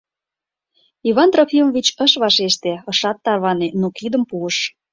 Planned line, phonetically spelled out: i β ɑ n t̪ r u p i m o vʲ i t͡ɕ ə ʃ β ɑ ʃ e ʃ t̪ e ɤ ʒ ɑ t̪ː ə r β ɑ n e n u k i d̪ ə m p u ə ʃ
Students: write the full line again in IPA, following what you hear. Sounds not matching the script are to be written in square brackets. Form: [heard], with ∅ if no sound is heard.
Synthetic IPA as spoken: i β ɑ n t̪ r [o] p i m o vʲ i t͡ɕ ə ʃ β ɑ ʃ e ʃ t̪ e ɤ [ʃ] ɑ t̪ː [ɑ] r β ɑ n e n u k i d̪ ə m p u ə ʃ